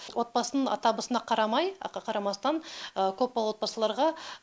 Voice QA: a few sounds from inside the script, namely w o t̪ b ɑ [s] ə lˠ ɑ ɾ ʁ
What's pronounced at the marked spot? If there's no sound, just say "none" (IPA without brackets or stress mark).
s